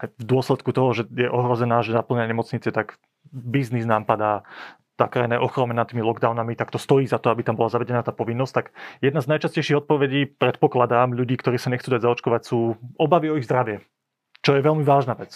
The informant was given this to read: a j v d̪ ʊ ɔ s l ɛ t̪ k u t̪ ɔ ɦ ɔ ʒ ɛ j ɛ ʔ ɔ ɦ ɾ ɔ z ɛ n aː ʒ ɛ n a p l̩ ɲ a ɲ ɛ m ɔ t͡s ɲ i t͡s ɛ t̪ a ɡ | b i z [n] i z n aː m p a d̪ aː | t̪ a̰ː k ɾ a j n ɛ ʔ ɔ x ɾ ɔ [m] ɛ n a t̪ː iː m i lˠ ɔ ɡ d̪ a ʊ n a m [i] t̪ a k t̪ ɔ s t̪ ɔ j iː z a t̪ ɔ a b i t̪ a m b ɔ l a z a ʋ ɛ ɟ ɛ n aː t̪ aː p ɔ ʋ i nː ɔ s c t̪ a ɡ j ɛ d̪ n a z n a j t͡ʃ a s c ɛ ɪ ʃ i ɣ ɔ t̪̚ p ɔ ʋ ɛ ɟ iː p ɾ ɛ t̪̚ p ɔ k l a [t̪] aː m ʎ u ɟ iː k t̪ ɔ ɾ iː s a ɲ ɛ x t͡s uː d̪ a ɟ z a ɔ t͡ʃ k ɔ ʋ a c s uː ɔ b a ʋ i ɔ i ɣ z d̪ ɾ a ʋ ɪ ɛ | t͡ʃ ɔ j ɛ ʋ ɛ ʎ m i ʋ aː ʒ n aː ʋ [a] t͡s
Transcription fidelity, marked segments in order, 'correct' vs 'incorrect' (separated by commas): correct, correct, correct, incorrect, incorrect